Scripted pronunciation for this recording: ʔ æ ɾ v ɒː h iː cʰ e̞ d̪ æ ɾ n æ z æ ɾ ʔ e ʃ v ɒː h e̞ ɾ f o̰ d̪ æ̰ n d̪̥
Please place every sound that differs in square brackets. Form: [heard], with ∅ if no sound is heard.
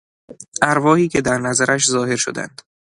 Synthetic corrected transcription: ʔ æ ɾ v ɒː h iː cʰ e̞ d̪ æ ɾ n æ z æ ɾ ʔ [æ] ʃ [z] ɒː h e̞ ɾ [ʃ] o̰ d̪ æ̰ n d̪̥

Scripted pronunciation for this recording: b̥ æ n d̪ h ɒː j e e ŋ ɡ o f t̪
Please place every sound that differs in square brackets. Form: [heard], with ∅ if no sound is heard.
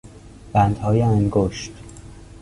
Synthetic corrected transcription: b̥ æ n d̪ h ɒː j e [æ] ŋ ɡ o [ʃ] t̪

